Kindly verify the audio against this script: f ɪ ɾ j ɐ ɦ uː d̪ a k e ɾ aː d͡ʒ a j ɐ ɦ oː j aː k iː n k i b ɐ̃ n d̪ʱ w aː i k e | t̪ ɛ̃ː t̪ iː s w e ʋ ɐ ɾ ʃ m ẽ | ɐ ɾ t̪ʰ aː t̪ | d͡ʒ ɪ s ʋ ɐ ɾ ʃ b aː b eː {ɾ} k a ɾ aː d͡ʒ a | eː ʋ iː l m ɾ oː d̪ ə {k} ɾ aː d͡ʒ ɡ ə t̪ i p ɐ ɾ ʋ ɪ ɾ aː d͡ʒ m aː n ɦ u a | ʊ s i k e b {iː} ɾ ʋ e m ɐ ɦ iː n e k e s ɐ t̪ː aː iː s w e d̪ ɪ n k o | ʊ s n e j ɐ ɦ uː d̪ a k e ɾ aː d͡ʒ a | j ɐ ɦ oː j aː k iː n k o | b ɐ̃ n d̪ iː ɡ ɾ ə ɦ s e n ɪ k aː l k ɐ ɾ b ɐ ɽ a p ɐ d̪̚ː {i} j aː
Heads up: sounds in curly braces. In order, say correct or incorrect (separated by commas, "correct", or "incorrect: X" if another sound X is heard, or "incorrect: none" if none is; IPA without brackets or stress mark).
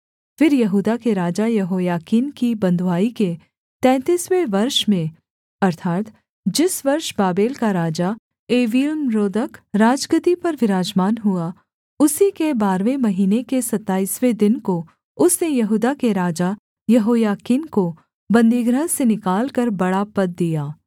incorrect: l, correct, incorrect: aː, correct